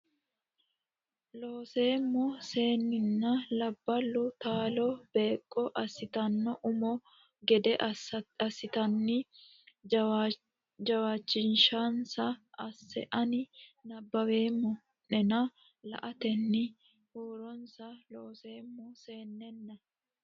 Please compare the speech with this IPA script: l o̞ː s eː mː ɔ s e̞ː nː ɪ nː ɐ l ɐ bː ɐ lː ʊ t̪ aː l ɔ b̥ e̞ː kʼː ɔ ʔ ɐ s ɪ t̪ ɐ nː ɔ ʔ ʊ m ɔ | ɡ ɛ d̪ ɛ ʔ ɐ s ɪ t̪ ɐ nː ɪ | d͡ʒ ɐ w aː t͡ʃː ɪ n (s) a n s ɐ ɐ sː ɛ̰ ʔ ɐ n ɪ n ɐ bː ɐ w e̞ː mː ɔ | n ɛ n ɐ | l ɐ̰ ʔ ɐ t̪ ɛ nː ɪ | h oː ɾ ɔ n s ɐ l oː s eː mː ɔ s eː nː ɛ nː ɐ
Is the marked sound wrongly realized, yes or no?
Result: yes